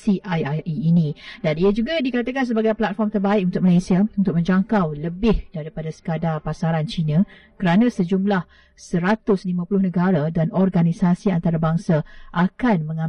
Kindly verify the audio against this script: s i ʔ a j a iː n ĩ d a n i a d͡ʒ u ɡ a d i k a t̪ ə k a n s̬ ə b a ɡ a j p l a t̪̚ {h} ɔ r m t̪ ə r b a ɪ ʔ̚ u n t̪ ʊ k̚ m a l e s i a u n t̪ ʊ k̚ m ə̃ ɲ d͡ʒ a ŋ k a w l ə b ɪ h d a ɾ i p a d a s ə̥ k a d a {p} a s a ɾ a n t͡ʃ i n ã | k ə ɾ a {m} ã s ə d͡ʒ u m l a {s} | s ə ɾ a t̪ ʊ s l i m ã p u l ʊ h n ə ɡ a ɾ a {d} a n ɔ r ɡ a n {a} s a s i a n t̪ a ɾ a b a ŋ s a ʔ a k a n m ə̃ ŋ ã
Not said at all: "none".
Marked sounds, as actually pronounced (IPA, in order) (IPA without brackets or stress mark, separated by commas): f, p, n, h, d, i